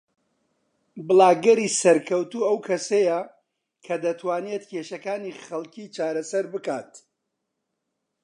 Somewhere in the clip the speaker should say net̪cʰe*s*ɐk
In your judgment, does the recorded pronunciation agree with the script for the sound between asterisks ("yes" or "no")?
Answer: no